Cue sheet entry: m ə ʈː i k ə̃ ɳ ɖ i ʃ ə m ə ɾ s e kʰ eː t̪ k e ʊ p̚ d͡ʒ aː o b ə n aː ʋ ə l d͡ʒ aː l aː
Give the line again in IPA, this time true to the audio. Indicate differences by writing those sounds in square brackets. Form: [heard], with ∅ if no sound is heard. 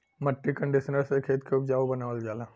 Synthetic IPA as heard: m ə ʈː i k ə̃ ɳ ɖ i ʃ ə [n] ə ɾ s e kʰ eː t̪ k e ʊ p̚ d͡ʒ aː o b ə n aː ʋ ə l d͡ʒ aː l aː